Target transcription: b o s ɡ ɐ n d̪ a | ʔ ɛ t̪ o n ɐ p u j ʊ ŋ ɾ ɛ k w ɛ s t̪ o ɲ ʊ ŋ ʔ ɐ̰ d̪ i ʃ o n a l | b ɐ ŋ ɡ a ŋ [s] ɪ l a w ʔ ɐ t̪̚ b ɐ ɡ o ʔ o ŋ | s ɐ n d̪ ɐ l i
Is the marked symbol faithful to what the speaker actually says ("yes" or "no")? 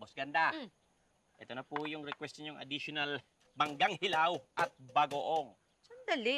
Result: no